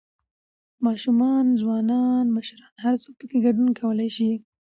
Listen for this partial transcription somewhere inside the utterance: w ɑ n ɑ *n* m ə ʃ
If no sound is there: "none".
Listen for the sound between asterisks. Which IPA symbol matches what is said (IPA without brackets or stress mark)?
n